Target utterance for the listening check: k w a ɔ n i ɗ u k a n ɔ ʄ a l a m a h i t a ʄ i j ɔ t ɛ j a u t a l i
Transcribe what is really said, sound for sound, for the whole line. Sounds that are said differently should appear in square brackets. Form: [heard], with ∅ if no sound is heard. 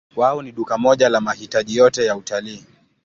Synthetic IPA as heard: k w a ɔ n i ɗ u k a [m] ɔ ʄ a l a m a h i t a ʄ i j ɔ t ɛ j a u t a l [iː]